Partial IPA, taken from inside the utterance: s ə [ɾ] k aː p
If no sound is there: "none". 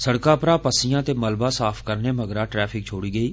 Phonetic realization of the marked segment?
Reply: ɽ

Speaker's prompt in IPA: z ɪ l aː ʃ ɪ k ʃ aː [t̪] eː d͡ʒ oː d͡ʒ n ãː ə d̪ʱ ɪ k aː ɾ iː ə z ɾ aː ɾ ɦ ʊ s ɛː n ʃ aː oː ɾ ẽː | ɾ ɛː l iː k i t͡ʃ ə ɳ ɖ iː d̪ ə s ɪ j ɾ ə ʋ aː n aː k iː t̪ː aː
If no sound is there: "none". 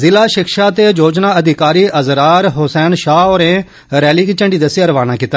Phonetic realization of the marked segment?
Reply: t̪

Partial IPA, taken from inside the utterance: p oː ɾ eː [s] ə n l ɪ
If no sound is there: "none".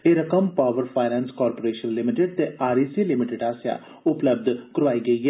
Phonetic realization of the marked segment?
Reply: ʃ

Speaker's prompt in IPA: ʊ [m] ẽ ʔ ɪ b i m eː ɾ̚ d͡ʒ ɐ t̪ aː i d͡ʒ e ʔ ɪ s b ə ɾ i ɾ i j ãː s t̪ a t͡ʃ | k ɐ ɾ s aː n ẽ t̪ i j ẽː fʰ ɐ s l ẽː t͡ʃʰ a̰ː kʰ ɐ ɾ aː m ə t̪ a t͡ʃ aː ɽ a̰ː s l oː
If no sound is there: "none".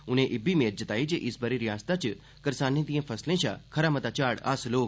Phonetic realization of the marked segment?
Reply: n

